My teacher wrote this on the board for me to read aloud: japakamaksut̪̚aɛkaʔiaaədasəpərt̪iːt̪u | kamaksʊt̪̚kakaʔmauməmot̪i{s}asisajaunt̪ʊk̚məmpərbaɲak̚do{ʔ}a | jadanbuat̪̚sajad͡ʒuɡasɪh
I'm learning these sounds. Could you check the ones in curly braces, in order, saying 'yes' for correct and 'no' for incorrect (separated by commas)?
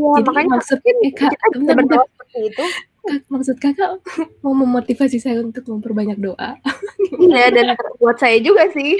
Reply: no, yes